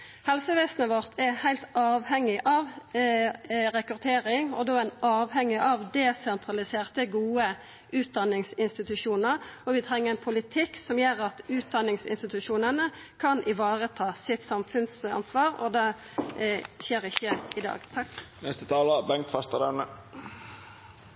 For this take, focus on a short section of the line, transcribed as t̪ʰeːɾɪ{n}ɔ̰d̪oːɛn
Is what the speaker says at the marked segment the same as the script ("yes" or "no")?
no